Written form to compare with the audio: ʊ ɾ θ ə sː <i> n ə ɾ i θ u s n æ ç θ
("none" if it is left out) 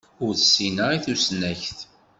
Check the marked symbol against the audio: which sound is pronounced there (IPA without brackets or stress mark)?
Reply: i